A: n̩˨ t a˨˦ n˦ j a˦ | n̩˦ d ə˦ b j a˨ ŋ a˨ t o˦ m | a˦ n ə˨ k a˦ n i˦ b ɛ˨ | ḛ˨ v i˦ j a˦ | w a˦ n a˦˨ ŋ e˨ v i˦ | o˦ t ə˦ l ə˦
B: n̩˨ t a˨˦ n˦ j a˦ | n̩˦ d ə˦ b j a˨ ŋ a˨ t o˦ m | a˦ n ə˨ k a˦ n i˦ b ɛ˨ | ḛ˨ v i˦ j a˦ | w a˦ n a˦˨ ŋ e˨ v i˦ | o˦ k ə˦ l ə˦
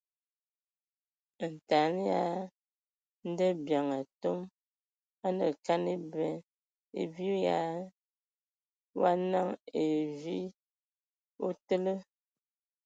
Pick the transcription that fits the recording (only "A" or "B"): A